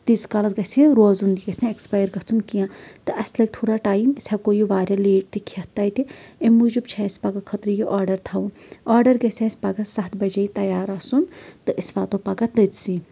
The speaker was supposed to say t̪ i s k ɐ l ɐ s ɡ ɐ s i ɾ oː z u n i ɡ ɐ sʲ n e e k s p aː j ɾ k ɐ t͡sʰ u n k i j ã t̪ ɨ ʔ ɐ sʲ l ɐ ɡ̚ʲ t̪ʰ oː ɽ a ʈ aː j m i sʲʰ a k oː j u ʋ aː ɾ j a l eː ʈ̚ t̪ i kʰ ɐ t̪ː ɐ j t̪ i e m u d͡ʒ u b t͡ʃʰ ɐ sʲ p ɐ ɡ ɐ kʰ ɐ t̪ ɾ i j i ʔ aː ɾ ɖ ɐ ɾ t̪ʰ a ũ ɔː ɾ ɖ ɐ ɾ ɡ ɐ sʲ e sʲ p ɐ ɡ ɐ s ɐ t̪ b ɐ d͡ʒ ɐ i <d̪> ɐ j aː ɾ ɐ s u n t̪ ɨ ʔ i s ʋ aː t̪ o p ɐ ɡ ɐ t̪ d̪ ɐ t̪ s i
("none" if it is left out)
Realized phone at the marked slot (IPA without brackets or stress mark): t̪